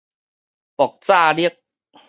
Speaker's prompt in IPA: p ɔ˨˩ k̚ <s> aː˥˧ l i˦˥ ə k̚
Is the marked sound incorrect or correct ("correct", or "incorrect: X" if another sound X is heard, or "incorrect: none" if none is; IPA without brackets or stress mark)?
incorrect: t͡s